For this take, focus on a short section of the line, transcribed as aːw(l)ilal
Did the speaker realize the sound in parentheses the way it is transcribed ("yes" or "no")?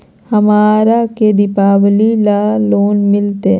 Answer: yes